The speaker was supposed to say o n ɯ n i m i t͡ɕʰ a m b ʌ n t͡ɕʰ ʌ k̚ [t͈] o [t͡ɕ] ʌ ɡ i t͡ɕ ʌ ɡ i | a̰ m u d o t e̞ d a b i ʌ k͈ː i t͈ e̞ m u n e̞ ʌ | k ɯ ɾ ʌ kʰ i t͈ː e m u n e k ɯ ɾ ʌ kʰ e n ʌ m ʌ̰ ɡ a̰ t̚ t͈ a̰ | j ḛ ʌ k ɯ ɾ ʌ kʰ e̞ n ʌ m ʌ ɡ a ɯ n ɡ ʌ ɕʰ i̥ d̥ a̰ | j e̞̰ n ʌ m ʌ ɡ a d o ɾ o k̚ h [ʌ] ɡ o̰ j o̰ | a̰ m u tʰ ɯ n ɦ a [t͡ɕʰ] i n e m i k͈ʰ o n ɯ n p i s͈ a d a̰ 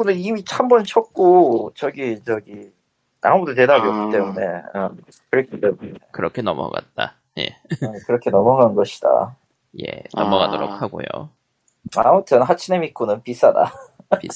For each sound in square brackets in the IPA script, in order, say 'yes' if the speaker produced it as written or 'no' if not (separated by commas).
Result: no, yes, no, yes